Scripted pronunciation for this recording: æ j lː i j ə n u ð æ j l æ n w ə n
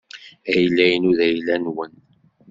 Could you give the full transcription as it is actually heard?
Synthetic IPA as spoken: æ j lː æ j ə n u ð æ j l æ n w ə n